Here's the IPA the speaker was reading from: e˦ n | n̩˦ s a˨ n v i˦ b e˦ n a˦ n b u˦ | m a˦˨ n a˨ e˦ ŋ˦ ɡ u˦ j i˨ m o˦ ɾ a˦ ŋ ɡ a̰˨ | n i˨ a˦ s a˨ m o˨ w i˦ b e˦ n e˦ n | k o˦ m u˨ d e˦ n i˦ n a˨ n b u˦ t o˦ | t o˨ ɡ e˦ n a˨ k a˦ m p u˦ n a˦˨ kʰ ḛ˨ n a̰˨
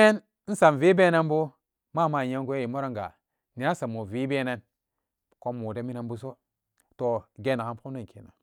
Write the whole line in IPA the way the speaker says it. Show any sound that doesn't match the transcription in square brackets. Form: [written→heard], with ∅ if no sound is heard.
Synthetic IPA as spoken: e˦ n | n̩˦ s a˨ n v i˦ b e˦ n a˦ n b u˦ | m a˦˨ [n→m] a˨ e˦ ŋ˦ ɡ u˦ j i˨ m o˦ ɾ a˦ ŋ ɡ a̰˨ | n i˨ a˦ s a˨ m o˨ [w→v] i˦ b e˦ n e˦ n | k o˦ m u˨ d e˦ [n→m] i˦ n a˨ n b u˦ [t→s] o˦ | t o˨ ɡ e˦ n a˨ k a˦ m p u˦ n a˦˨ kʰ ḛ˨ n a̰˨